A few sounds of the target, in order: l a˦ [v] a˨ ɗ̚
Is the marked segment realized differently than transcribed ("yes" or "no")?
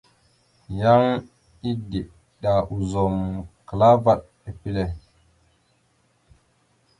no